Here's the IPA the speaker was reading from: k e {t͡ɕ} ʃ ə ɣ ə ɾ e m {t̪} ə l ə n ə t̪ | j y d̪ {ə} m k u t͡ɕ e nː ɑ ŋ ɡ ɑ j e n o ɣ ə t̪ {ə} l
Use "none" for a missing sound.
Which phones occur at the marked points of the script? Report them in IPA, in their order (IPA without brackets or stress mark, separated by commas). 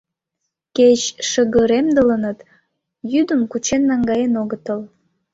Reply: t͡ɕ, d̪, ə, ə